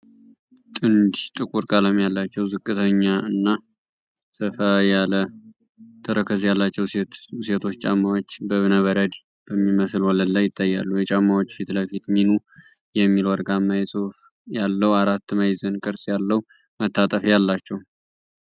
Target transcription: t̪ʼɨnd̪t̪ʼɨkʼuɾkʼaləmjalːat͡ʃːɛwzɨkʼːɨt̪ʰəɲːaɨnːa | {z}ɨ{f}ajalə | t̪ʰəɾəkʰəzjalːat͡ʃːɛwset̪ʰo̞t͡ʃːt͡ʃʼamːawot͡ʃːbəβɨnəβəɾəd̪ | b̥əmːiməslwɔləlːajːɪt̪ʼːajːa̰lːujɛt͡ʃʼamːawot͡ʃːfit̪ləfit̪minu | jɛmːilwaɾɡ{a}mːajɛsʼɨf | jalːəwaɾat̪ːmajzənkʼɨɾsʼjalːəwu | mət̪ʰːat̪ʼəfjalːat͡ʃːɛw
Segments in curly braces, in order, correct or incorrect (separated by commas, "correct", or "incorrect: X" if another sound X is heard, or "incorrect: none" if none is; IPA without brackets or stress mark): incorrect: s, correct, correct